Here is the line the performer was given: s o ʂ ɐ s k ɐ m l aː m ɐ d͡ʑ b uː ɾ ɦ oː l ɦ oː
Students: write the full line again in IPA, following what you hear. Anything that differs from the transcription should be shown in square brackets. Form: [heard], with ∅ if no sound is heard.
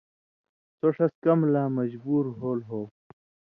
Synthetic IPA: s o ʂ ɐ s k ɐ m l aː m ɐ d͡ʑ b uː ɾ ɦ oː l ɦ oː